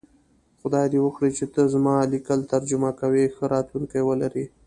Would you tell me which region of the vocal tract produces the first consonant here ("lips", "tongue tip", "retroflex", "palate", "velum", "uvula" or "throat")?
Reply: velum